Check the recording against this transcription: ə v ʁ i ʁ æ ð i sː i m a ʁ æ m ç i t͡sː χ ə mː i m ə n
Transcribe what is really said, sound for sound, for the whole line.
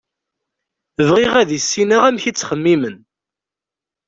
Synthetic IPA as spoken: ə v ʁ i ʁ æ ð i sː i n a ʁ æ m ç i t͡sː χ ə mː i m ə n